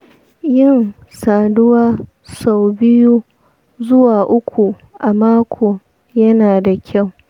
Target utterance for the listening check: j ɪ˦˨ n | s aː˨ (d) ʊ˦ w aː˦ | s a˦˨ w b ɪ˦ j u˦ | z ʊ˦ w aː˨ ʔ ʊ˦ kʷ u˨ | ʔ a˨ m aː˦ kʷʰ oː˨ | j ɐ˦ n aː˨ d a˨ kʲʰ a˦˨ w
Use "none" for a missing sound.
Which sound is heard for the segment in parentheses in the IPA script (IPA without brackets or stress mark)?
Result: d